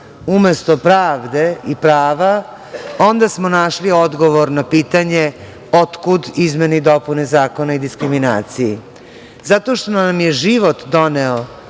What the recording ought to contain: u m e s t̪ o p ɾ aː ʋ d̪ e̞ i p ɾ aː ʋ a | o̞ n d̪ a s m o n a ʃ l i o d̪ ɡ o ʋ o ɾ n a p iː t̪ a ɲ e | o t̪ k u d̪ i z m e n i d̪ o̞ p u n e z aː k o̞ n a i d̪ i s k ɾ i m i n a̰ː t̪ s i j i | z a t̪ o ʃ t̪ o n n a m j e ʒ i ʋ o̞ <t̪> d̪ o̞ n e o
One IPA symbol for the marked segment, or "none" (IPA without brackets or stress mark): t̪